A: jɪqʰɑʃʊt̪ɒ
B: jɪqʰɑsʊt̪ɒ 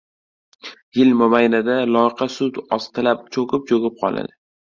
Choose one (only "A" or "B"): B